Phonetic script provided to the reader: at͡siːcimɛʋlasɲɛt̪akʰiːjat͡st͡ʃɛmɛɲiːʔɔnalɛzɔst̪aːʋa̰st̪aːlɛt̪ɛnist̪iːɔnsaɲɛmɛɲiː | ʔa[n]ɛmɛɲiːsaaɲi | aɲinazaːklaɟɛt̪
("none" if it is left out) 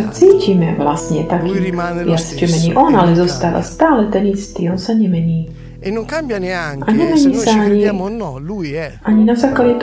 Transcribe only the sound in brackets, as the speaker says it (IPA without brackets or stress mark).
ɲ